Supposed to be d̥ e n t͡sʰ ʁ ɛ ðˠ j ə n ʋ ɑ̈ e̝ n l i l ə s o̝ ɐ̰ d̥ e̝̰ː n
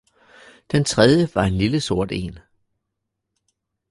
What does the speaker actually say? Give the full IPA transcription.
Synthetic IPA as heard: d̥ e n t͡sʰ ʁ ɛ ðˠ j ə ʋ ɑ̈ e̝ n l i l ə s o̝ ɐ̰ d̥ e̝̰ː n